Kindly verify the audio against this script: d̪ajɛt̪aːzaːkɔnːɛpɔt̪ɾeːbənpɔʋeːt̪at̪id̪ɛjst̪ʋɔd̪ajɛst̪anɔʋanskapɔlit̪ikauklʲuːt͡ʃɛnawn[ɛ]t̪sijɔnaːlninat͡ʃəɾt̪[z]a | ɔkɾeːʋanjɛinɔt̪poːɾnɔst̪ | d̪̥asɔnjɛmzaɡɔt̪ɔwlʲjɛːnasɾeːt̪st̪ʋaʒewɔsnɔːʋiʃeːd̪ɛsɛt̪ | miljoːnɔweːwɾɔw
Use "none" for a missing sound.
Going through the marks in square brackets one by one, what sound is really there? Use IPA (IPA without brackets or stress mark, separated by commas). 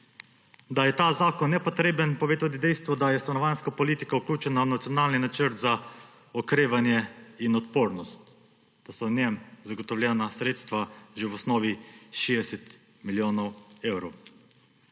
a, z